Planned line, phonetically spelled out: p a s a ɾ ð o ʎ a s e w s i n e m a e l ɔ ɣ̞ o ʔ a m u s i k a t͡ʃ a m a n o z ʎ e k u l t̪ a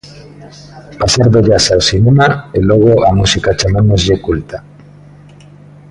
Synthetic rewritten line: p a s a ɾ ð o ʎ a s a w s i n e m a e l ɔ ɣ̞ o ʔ a m u s i k a t͡ʃ a m a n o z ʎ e k u l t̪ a